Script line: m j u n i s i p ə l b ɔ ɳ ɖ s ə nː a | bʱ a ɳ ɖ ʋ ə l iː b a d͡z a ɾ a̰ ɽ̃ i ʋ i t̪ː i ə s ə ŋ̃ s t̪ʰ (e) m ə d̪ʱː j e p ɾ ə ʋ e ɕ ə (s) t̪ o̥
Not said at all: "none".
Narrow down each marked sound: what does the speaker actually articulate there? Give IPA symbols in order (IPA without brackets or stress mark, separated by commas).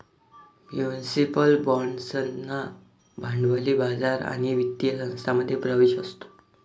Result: a, s